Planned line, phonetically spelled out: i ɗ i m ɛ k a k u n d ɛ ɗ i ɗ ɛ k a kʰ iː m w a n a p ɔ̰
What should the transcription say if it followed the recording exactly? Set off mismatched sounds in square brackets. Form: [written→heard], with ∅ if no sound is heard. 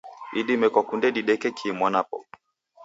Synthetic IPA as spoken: i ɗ i m ɛ k a k u n d ɛ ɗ i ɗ ɛ k [a→ɛ] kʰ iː m w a n a p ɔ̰